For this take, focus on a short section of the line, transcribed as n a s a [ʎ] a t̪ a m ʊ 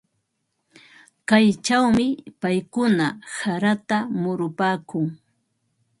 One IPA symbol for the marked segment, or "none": ɾ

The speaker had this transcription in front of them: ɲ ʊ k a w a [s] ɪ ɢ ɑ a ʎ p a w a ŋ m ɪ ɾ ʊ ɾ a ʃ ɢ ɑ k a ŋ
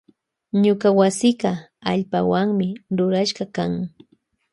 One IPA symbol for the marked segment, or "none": s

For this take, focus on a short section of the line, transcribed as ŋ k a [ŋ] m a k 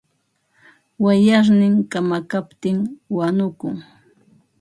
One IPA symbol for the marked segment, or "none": none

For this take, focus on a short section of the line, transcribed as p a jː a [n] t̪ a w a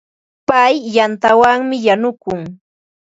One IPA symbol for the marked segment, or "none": n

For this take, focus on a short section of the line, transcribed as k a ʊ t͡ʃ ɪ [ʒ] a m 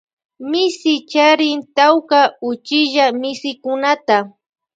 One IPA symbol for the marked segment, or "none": ʒ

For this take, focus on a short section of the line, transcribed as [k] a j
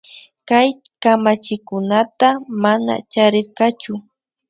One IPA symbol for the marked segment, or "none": k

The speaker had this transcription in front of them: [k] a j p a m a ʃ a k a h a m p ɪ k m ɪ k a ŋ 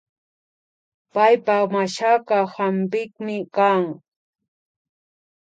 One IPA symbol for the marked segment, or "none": p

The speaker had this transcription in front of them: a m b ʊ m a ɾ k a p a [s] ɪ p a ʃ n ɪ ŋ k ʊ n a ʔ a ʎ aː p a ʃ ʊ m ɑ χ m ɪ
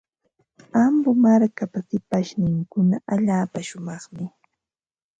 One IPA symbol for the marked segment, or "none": s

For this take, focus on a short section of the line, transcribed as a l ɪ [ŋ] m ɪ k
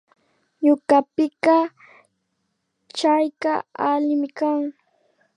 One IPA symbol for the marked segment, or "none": none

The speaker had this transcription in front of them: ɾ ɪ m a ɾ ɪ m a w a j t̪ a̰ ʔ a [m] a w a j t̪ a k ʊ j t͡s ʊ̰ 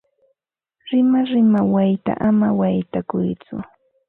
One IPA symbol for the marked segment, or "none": m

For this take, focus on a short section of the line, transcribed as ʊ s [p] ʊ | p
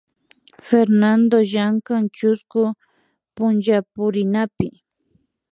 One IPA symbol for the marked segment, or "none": k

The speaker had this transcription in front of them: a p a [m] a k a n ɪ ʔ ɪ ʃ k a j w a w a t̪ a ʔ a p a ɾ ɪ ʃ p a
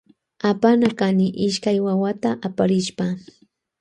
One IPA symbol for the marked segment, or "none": n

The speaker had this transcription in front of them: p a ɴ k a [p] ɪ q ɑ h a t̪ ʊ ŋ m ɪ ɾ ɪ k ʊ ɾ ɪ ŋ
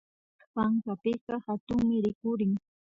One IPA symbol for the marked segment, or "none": p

